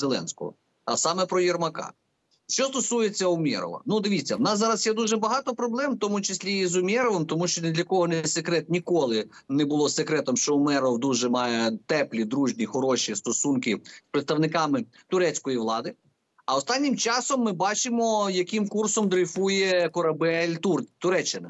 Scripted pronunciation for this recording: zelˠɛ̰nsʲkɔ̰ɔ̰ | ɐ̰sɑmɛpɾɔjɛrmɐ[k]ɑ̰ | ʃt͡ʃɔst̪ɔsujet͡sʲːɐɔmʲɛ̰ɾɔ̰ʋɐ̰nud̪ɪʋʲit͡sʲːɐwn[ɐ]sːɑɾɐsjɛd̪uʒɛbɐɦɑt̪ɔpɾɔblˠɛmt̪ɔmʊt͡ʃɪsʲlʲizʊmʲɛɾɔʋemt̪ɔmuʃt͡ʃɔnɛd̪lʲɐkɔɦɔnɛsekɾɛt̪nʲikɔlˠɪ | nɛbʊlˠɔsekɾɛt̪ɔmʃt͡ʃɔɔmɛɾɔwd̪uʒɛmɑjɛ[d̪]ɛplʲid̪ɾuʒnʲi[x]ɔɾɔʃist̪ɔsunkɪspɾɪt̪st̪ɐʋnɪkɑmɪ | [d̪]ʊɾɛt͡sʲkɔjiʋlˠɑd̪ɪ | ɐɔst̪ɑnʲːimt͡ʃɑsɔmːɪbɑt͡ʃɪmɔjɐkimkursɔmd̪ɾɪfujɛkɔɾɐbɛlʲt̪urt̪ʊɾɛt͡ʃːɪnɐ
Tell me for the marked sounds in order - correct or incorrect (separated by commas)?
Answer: correct, incorrect, incorrect, correct, incorrect